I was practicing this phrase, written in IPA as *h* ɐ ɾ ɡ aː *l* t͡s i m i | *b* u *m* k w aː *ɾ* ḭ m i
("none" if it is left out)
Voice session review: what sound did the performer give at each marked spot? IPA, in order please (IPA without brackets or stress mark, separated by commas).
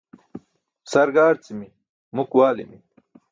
s, ɾ, m, none, l